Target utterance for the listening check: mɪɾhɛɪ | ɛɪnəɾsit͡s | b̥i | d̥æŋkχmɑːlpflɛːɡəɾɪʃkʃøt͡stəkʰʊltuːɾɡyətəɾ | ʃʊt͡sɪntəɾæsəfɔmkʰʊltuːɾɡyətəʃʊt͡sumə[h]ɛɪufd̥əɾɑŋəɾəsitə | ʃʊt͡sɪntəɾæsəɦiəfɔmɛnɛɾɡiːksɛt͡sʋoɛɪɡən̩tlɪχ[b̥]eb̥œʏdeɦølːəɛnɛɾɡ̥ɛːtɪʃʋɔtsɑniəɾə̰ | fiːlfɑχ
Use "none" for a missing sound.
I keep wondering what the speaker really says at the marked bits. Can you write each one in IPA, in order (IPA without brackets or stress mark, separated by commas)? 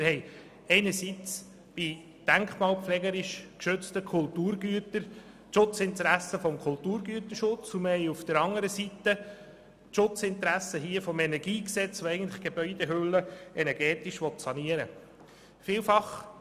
h, ɡ̥